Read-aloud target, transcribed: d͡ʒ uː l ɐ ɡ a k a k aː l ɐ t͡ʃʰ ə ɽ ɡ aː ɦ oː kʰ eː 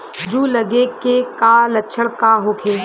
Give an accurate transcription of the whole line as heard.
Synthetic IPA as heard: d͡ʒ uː l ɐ ɡ e k e k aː l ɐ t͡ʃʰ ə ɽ k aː ɦ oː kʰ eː

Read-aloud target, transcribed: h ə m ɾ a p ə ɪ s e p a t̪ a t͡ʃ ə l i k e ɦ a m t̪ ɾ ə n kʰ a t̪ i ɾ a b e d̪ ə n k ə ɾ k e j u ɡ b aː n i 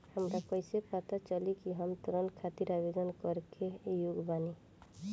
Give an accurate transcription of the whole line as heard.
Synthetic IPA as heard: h ə m ɾ a k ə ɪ s e p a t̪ a t͡ʃ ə l i k i ɦ ə m t̪ ɾ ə n kʰ a t̪ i ɾ a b e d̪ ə n k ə ɾ k e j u ɡ b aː n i

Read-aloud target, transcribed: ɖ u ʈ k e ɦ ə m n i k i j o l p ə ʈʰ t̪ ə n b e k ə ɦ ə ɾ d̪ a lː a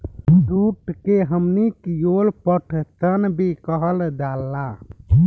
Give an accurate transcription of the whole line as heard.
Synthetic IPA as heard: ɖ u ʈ k e ɦ ə m n i k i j o l p ə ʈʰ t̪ ə n b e k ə ɦ ə l d̪ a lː a

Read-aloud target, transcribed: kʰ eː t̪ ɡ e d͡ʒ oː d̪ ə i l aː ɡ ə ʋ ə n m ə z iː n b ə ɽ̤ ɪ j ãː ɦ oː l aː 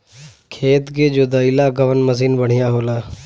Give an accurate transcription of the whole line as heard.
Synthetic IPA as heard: kʰ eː t̪ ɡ e d͡ʒ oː d̪ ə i l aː ɡ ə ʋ ə n m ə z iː n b ə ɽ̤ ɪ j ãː ɦ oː l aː

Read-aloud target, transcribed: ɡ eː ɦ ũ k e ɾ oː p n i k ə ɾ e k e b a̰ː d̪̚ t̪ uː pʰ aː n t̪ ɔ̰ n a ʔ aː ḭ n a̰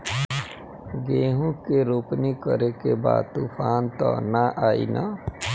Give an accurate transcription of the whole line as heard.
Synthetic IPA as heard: ɡ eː ɦ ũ k e ɾ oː p n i k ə ɾ e k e b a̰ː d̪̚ t̪ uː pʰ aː n t̪ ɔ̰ n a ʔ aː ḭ n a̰

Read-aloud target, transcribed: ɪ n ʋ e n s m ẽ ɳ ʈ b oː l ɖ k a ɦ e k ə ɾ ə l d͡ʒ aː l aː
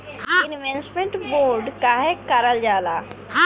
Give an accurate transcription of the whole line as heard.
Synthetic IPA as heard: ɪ n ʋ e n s m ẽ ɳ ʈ b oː ɾ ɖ k a ɦ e k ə ɾ ə l d͡ʒ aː l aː

